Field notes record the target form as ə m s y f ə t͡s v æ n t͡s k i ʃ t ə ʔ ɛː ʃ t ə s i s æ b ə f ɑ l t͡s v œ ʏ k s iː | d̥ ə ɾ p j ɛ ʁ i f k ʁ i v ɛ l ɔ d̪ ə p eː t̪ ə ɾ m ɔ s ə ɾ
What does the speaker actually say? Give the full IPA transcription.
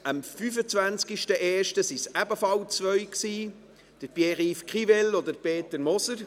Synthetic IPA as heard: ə m f y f ə t͡s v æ n t͡s k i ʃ t ə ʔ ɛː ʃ t ə s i s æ b ə f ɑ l t͡s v œ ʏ k s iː | d̥ ə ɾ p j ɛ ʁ i f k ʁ i v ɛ l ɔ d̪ ə p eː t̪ ə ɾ m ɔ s ə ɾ